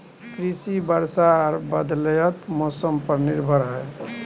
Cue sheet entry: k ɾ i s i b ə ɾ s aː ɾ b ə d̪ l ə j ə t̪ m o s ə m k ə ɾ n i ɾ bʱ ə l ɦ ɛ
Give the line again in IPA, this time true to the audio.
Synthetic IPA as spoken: k ɾ i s i b ə ɾ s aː ɾ b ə d̪ l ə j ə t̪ m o s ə m p ə ɾ n i ɾ bʱ ə ɾ ɦ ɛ

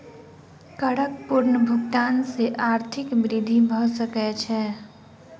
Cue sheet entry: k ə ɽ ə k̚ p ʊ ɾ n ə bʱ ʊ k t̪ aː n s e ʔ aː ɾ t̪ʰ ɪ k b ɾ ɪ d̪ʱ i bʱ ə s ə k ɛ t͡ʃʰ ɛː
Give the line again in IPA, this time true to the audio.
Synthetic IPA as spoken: k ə ɽ ə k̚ p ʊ ɾ n ə bʱ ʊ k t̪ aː n s e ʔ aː ɾ t̪ʰ ɪ k b ɾ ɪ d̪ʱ i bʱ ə s ə k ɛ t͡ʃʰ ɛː

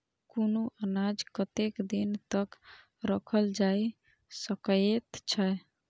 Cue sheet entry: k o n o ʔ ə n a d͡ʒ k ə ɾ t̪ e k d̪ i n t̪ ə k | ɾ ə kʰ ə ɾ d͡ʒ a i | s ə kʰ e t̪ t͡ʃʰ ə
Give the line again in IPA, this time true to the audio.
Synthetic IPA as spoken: k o n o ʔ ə n a d͡ʒ k ə t̪ e k d̪ i n t̪ ə k | ɾ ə kʰ ə l d͡ʒ a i | s ə k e t̪ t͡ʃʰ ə

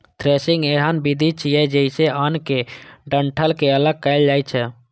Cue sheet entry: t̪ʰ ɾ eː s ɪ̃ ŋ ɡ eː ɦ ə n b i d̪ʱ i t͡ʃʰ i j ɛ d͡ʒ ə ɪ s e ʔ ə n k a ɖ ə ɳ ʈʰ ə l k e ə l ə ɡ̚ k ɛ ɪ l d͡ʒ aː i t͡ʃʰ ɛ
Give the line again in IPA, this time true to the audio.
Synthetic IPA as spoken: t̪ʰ ɾ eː s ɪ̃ ŋ ɡ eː ɦ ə n b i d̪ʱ i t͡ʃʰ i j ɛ d͡ʒ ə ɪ s e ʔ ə n k e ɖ ə ɳ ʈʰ ə l k e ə l ə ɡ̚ k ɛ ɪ l d͡ʒ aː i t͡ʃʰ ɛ

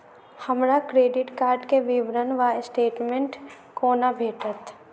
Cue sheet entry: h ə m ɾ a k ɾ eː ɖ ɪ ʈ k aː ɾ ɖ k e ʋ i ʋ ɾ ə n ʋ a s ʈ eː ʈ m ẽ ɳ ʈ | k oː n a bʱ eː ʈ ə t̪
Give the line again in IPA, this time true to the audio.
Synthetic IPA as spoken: h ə m ɾ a k ɾ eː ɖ ɪ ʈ k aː ɾ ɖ k e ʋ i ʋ ɾ ə n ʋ a s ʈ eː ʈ m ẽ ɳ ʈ | k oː n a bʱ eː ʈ ə t̪

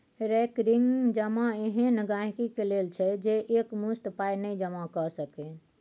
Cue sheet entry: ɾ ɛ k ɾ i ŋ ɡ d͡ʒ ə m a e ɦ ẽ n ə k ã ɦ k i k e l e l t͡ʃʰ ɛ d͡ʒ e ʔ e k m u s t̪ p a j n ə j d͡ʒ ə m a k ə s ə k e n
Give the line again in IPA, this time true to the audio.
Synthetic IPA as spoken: ɾ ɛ k ɾ i ŋ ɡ d͡ʒ ə m a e ɦ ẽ n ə ɡ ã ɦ k i k e l e l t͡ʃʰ ɛ d͡ʒ e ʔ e k m u s t̪ p a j n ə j d͡ʒ ə m a k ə s ə k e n

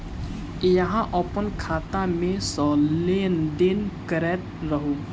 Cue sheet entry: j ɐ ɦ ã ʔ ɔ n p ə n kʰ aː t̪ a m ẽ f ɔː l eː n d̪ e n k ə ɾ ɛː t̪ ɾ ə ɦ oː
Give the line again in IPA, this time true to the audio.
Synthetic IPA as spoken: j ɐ ɦ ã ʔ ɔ p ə n kʰ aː t̪ a m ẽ s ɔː l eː n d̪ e n k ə ɾ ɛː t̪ ɾ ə ɦ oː

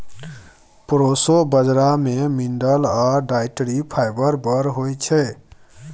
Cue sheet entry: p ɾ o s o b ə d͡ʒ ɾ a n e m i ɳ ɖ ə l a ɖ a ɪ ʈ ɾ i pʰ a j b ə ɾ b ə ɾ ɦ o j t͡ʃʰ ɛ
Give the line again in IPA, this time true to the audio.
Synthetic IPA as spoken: p ɾ o s o b ə d͡ʒ ɾ a m e m i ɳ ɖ ə l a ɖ a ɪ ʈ ɾ i pʰ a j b ə ɾ b ə ɾ ɦ o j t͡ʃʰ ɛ

